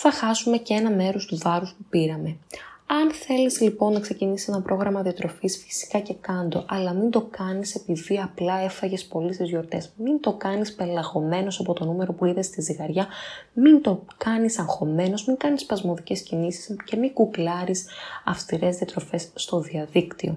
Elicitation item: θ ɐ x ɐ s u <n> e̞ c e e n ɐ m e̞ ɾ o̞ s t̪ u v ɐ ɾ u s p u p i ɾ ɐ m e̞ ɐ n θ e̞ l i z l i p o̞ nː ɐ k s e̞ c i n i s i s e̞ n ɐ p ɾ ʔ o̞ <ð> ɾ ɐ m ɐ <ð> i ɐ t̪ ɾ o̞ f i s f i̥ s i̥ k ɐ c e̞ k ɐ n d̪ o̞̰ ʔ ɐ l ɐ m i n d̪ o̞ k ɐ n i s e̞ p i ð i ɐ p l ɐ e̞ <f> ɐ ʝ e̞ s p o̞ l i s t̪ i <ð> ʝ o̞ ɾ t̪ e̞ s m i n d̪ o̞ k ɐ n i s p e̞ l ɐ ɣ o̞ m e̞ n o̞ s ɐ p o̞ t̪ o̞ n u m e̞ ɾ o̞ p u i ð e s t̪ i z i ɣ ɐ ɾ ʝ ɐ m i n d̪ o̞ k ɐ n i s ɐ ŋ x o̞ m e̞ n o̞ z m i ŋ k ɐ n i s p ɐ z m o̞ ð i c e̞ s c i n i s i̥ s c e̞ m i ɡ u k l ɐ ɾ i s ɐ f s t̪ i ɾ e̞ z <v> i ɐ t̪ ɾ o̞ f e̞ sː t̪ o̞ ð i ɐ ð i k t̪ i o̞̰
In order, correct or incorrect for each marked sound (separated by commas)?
incorrect, incorrect, correct, correct, incorrect, incorrect